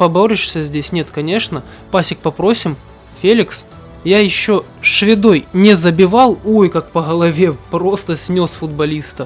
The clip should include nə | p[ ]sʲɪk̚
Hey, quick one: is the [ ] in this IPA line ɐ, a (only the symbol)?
a